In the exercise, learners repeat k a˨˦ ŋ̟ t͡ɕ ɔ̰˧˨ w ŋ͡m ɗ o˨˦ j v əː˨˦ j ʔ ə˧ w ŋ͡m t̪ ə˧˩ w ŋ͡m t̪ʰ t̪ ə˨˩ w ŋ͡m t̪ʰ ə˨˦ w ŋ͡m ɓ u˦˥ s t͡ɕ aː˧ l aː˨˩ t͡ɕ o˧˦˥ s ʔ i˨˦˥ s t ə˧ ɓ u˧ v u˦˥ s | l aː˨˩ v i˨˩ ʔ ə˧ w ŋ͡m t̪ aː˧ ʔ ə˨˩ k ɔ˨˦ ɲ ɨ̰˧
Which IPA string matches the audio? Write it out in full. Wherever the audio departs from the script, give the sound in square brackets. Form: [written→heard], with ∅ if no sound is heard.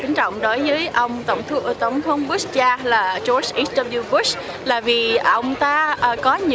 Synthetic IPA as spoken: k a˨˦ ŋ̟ t͡ɕ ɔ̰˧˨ w ŋ͡m ɗ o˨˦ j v əː˨˦ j ʔ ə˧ w ŋ͡m t̪ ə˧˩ w ŋ͡m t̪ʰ t̪ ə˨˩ w ŋ͡m t̪ʰ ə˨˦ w ŋ͡m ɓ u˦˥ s t͡ɕ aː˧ l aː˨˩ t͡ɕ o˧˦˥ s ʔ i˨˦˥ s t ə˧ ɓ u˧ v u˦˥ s | l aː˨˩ v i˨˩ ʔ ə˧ w ŋ͡m t̪ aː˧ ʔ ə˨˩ k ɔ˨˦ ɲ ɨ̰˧